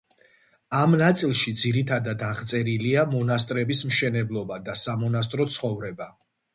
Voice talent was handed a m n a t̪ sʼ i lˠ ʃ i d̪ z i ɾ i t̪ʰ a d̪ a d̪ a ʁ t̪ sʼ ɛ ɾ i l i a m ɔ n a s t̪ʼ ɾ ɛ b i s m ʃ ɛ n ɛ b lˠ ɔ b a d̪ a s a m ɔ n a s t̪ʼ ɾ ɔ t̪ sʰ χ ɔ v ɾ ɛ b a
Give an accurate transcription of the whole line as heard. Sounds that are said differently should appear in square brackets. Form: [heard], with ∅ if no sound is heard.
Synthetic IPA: a m n a t̪ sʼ i lˠ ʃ i d̪ z i ɾ i t̪ʰ a d̪ a d̪ a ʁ t̪ sʼ ɛ ɾ i l i a m ɔ n a s t̪ʼ ɾ ɛ b i s m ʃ ɛ n ɛ b lˠ ɔ b a d̪ a s a m ɔ n a s t̪ʼ ɾ ɔ t̪ sʰ χ ɔ v ɾ ɛ b a